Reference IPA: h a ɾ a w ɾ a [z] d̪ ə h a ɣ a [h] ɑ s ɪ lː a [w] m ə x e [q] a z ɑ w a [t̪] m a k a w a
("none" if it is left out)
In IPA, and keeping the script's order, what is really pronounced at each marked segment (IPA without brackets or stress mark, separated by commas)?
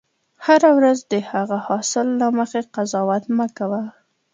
z, h, none, q, t̪